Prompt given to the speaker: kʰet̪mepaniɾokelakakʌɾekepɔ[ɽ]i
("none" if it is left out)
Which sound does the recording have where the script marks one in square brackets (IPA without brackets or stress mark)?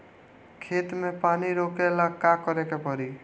ɾ